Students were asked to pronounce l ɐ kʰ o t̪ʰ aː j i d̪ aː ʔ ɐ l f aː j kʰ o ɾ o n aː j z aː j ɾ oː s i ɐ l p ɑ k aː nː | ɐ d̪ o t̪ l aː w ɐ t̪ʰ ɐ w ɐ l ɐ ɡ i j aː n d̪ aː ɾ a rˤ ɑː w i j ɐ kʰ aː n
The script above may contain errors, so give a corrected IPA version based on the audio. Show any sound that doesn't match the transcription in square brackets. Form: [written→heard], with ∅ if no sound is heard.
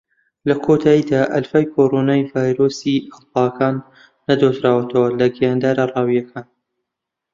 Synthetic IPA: l ɐ kʰ o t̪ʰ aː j i d̪ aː ʔ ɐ l f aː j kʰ o ɾ o n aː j [z→v] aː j ɾ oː s i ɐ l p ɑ k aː nː | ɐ d̪ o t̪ [l→ɾ] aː w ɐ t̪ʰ ɐ w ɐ l ɐ ɡ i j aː n d̪ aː ɾ a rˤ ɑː w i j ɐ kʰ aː n